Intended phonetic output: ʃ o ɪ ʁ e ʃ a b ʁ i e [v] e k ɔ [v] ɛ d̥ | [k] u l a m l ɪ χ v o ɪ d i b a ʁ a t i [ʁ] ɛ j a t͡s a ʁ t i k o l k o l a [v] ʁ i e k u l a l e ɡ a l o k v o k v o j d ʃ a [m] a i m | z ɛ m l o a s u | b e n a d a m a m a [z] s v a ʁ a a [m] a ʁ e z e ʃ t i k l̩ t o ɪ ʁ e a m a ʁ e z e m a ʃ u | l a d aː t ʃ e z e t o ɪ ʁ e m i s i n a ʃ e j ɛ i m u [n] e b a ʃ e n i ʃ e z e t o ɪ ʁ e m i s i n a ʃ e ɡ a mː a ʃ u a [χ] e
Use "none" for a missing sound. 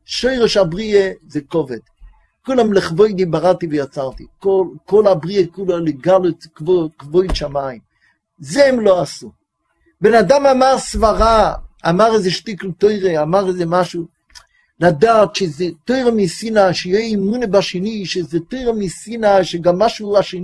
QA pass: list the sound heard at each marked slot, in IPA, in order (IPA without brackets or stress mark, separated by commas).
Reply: z, v, k, v, b, m, ʁ, m, n, ʃ